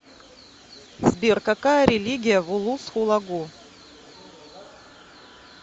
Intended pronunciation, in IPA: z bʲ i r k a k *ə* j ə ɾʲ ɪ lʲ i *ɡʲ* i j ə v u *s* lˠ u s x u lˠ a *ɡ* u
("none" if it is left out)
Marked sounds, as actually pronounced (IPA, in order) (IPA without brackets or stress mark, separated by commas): a, ɡʲ, none, ɡ